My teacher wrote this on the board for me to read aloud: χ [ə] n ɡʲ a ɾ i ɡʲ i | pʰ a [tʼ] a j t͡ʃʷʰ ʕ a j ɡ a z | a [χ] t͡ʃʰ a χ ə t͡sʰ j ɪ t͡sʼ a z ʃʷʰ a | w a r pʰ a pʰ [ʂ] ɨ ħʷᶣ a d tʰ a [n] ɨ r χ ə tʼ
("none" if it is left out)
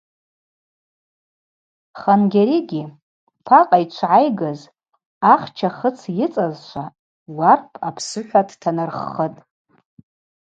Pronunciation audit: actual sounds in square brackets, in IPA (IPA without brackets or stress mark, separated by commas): a, qʼ, χ, s, n